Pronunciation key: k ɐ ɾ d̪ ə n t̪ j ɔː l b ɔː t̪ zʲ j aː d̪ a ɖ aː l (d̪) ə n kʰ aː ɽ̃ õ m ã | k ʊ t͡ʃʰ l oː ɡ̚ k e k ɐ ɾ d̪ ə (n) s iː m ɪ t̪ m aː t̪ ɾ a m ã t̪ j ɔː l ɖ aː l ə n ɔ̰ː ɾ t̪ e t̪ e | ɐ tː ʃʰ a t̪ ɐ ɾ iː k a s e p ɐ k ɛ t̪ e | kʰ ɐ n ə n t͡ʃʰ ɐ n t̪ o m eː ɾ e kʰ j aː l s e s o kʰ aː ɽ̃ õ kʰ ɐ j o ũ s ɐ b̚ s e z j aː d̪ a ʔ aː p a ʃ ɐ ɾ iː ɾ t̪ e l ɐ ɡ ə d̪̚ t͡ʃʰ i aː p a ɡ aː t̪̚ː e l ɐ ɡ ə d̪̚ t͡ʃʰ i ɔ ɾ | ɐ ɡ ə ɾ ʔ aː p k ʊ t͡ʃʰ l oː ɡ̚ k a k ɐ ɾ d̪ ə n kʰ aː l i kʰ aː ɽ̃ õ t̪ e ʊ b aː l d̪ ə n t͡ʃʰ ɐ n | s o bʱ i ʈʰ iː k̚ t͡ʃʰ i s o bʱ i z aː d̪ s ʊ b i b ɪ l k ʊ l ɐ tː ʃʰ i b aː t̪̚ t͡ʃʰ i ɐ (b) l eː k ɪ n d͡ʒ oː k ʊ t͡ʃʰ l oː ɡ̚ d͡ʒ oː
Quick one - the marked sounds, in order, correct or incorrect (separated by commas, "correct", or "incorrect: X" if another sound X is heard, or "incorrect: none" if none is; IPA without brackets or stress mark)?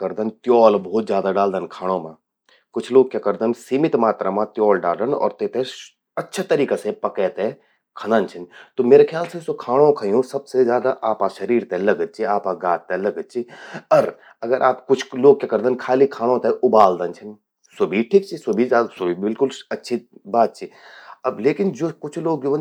correct, correct, correct